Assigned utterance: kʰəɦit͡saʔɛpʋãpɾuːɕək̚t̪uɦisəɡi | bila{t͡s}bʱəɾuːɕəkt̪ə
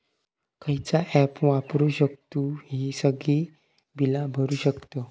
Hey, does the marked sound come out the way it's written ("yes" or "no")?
no